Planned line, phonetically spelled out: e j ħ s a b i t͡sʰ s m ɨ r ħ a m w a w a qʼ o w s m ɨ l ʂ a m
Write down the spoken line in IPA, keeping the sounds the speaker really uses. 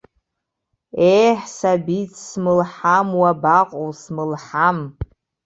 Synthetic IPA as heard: e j ħ s a b i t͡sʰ s m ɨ l ħ a m w a b a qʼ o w s m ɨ l ħ a m

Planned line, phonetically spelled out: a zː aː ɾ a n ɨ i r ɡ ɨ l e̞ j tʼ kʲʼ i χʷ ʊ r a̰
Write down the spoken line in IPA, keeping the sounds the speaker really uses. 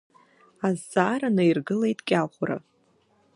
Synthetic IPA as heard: a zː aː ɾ a n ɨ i r ɡ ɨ l e̞ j tʼ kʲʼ a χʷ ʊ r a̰

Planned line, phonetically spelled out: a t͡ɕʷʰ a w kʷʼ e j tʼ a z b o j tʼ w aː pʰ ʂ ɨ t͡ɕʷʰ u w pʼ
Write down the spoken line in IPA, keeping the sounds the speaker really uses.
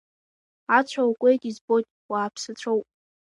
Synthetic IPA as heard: a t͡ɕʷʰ a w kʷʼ e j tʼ i z b o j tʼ w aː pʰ s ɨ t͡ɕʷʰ o w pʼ

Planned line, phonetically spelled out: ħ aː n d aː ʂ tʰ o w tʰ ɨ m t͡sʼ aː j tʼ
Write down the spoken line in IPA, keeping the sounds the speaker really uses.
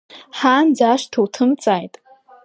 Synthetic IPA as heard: ħ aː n d͡z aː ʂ tʰ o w tʰ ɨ m t͡sʼ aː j tʼ

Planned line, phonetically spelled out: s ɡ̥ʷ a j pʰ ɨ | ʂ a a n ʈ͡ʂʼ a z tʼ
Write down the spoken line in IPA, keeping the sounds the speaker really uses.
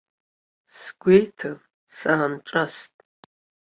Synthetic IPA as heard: s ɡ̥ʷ e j tʰ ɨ | s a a n ʈ͡ʂʼ a s tʼ

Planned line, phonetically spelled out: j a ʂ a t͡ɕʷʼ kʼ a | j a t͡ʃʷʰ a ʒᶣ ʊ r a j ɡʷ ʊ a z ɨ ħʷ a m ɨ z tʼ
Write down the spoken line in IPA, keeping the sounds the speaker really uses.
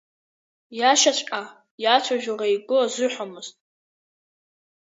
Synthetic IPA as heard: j a ʃ a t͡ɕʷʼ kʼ a | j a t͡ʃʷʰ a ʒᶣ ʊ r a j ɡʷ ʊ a z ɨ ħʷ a m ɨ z tʼ

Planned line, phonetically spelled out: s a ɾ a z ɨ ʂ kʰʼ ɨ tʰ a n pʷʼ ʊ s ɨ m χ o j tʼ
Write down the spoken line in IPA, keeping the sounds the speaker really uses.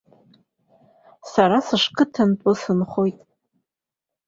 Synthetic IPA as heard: s a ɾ a s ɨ ʂ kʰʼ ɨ tʰ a n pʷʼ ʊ s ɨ n χ o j tʼ

